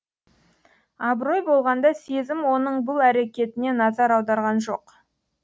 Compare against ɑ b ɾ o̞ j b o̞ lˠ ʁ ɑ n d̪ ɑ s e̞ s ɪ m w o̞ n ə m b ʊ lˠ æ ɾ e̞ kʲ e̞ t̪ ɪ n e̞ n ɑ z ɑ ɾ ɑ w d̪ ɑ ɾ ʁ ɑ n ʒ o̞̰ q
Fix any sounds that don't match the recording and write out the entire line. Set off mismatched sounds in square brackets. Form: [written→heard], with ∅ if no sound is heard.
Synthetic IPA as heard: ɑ b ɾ o̞ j b o̞ lˠ ʁ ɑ n d̪ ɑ s e̞ [s→z] ɪ m w o̞ n ə [m→ɴ] b ʊ lˠ æ ɾ e̞ kʲ e̞ t̪ ɪ n e̞ n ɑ z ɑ ɾ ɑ w d̪ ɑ ɾ ʁ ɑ n ʒ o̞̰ q